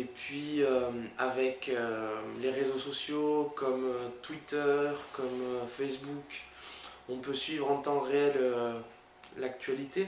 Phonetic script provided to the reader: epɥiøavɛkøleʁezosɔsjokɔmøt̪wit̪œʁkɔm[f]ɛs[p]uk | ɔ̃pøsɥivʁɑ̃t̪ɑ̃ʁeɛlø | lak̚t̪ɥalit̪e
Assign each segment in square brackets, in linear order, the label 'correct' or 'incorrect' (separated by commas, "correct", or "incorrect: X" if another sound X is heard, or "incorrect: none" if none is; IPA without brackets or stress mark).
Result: correct, incorrect: b